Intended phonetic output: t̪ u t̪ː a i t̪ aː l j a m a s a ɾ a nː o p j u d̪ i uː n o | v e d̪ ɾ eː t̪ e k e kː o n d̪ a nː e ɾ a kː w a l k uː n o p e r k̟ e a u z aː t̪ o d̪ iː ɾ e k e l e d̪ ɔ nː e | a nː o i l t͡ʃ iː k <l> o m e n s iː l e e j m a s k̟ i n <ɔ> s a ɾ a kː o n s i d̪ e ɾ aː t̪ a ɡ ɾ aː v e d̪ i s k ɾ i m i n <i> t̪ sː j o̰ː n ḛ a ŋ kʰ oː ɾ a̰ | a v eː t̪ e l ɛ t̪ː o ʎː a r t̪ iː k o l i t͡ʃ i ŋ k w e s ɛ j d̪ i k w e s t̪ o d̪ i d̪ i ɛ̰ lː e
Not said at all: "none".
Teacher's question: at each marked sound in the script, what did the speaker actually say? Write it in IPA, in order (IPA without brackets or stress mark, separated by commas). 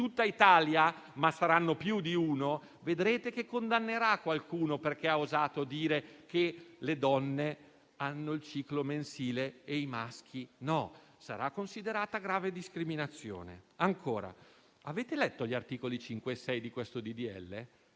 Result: l, ɔ, a